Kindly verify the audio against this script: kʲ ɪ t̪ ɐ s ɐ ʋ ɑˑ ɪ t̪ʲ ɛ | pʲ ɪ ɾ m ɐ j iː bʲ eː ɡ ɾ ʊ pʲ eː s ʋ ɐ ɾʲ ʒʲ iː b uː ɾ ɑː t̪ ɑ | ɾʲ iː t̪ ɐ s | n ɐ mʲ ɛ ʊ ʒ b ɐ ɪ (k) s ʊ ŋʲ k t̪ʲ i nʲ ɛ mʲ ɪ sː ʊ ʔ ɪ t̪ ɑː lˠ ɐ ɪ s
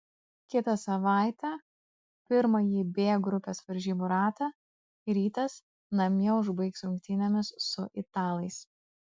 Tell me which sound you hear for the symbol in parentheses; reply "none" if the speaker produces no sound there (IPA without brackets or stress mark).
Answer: k